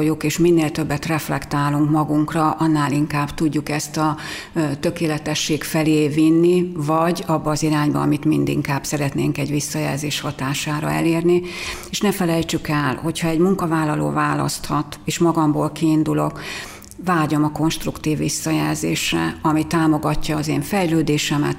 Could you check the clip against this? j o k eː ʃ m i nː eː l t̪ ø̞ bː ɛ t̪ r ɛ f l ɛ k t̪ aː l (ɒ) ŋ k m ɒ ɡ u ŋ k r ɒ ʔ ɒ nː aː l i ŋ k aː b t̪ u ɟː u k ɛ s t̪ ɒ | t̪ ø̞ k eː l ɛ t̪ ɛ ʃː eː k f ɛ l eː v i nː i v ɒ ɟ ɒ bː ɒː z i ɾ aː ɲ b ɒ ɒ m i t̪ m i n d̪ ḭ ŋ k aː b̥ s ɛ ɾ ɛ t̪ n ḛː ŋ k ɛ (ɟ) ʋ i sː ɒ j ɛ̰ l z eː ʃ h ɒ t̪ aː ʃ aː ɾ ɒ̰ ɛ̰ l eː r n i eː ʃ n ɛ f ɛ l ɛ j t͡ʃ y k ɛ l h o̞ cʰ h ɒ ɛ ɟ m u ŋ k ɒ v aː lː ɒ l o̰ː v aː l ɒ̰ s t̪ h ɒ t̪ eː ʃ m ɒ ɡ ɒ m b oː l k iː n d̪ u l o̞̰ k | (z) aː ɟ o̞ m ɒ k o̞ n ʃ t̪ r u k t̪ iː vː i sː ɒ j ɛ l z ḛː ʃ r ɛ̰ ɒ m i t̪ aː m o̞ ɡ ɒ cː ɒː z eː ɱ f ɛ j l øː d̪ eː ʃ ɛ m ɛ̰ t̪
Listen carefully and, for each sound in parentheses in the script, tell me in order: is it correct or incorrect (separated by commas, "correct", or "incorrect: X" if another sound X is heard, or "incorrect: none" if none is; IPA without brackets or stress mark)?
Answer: incorrect: u, correct, incorrect: v